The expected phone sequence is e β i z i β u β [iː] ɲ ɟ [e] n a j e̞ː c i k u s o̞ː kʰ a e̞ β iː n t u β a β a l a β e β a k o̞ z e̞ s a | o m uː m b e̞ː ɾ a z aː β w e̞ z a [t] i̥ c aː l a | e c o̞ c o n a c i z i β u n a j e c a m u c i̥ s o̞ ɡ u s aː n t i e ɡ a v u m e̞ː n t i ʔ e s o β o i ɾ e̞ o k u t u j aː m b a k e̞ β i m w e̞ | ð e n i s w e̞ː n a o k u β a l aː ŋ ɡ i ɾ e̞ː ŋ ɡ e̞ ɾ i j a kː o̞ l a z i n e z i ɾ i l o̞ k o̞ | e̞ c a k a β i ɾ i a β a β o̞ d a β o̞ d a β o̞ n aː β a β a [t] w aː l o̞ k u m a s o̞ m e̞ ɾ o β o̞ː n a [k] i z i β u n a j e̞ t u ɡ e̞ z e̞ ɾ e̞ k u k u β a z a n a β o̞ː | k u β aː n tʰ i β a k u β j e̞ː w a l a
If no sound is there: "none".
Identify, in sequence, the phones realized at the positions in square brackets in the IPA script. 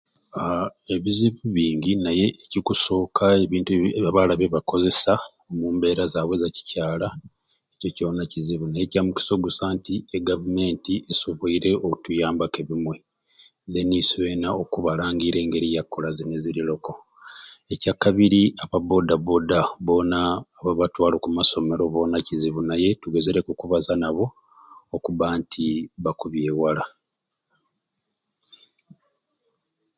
iː, i, c, t, c

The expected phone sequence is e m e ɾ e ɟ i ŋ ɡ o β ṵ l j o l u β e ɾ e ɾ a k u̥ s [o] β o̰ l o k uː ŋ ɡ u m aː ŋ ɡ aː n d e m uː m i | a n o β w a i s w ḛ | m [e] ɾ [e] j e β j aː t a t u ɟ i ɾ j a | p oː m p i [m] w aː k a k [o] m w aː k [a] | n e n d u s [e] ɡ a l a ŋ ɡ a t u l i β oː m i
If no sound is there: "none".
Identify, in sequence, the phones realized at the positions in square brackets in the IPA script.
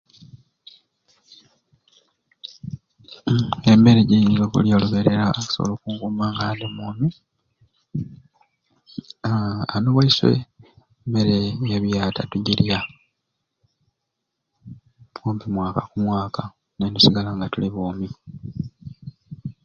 o, e, e, m, u, a, i

